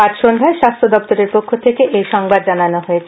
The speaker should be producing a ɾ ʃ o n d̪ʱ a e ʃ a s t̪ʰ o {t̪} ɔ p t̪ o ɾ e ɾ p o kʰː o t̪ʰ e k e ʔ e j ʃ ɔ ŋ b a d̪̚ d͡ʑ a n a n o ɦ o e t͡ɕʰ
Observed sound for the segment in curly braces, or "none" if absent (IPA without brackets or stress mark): d̪